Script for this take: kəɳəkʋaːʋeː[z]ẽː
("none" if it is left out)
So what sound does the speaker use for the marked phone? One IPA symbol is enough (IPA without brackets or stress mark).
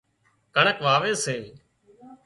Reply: s